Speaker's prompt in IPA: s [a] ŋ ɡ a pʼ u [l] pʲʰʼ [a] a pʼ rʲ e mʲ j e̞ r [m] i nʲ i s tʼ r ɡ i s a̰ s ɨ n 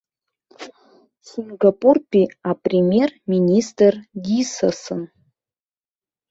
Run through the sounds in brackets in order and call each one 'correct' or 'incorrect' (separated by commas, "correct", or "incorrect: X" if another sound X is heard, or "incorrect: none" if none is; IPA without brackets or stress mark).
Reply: incorrect: i, incorrect: r, incorrect: i, correct